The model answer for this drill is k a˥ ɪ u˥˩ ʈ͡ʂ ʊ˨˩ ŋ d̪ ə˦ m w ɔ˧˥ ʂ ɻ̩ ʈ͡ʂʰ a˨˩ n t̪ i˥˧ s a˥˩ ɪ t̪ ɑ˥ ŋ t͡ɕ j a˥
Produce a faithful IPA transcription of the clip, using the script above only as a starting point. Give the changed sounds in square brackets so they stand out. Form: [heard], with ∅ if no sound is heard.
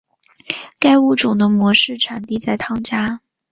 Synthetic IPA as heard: k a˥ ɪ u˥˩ ʈ͡ʂ ʊ˨˩ ŋ d̪ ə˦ m w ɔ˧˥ ʂ ɻ̩ ʈ͡ʂʰ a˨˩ n t̪ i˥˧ [t͡s] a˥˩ ɪ [t̪ʰ] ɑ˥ ŋ t͡ɕ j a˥

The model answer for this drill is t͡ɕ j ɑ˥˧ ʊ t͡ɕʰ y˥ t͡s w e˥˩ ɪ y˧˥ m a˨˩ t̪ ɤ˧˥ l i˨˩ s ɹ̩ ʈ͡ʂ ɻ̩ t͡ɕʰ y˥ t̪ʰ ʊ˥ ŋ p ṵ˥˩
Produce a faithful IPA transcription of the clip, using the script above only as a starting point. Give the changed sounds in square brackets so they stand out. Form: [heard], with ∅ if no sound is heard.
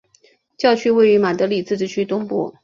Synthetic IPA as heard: t͡ɕ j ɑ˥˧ ʊ t͡ɕʰ y˥ [∅] w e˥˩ ɪ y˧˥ m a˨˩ t̪ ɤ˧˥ l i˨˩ [t͡s] ɹ̩ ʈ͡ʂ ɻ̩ t͡ɕʰ y˥ [t̪] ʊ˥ ŋ p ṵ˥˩

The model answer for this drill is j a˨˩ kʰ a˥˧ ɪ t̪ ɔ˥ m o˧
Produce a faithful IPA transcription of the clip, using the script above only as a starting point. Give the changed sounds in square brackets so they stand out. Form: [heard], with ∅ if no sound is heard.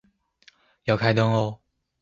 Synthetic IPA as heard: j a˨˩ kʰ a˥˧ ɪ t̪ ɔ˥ [ŋ] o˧

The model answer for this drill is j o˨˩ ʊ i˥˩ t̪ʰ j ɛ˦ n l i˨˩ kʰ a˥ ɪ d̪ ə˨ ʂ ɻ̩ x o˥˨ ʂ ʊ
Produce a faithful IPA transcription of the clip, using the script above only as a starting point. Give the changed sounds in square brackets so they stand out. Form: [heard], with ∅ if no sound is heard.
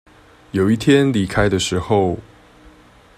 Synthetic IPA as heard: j o˨˩ ʊ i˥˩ t̪ʰ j ɛ˦ n l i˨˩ kʰ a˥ ɪ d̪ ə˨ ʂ ɻ̩ x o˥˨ [∅] ʊ

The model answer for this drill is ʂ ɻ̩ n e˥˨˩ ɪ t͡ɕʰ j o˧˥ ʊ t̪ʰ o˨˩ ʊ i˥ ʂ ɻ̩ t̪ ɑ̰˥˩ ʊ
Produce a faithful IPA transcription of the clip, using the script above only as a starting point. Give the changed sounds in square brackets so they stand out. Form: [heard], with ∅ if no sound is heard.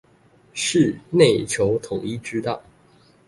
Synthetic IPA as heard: ʂ ɻ̩ n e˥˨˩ ɪ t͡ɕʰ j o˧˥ ʊ t̪ʰ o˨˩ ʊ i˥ [ʈ͡ʂ] ɻ̩ t̪ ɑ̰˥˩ ʊ

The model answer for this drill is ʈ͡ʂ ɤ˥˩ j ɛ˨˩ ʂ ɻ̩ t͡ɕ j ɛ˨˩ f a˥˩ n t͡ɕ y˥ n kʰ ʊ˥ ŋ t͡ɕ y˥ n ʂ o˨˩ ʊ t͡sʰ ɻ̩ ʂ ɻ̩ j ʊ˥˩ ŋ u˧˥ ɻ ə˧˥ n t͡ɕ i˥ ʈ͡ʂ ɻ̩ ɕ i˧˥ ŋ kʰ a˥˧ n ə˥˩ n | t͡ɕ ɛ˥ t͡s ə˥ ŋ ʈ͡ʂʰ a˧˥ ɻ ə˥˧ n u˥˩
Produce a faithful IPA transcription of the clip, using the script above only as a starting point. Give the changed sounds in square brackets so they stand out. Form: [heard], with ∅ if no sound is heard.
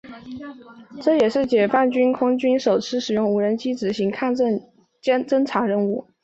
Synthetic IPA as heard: ʈ͡ʂ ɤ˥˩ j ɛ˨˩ ʂ ɻ̩ t͡ɕ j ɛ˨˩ f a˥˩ n t͡ɕ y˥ n kʰ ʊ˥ ŋ t͡ɕ y˥ n ʂ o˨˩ ʊ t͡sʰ ɻ̩ ʂ ɻ̩ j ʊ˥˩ ŋ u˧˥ ɻ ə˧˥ n t͡ɕ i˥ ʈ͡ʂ ɻ̩ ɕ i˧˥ ŋ kʰ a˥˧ n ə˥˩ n | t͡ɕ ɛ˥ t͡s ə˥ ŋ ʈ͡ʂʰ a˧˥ ɻ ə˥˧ n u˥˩

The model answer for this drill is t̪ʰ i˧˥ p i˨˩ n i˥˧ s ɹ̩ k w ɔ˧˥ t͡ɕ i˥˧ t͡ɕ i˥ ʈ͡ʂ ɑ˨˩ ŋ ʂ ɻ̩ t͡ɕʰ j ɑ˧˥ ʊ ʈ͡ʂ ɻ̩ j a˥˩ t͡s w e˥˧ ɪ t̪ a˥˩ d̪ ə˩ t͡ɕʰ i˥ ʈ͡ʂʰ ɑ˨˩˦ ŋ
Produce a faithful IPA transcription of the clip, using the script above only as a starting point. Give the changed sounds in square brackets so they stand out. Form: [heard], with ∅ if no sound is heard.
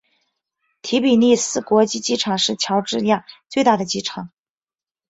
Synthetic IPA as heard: t̪ʰ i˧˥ p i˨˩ n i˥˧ s ɹ̩ k w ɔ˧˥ t͡ɕ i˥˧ t͡ɕ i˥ [ʈ͡ʂʰ] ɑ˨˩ ŋ ʂ ɻ̩ t͡ɕʰ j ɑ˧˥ ʊ ʈ͡ʂ ɻ̩ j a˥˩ t͡s w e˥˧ ɪ t̪ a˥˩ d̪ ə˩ [t͡ɕ] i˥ ʈ͡ʂʰ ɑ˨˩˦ ŋ

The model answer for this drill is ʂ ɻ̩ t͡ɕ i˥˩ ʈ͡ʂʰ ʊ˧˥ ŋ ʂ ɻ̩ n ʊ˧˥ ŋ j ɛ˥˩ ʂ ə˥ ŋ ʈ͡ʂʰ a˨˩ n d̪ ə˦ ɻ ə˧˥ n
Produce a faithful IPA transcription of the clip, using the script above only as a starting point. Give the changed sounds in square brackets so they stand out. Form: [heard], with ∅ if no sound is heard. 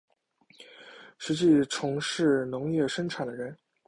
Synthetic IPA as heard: ʂ ɻ̩ t͡ɕ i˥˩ ʈ͡ʂʰ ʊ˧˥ ŋ ʂ ɻ̩ n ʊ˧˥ ŋ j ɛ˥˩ ʂ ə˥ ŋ ʈ͡ʂʰ a˨˩ n d̪ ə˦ ɻ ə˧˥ n

